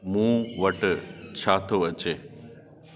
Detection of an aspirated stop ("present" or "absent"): present